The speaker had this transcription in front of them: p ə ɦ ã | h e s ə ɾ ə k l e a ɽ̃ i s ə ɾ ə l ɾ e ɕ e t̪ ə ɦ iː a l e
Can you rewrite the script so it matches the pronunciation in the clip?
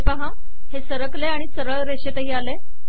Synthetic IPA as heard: p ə ɦ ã | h e s ə ɾ ə k l e a ɽ̃ i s ə ɾ ə ɭ ɾ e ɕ e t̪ ə ɦ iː a l e